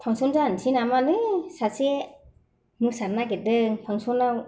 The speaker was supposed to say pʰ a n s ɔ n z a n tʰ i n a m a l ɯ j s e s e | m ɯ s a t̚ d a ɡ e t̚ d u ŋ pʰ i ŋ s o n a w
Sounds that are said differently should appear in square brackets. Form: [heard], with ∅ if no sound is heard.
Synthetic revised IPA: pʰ a [ŋ] s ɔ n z a n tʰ i n a m a l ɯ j s [a] s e | m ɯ s a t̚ [n] a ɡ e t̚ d [ɯ] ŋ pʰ [a] ŋ s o n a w